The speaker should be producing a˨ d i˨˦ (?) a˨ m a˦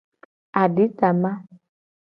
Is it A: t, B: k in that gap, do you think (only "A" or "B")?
A